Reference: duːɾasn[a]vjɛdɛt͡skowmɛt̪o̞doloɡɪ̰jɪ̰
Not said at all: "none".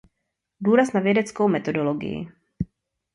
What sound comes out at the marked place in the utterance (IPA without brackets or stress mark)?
a